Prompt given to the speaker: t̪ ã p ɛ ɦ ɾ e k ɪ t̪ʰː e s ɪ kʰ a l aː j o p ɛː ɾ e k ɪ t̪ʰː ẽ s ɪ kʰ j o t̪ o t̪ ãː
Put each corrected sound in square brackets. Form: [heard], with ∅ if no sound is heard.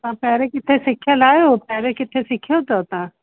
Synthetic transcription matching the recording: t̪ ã p ɛ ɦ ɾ e k ɪ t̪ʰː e s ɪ kʰ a l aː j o p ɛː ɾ e k ɪ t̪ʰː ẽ s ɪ kʰ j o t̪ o t̪ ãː